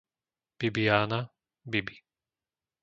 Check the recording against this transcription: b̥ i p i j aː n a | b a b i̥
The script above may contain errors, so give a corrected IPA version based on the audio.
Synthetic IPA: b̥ i b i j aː n a | b i b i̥